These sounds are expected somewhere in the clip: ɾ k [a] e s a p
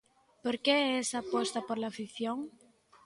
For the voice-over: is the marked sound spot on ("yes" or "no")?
no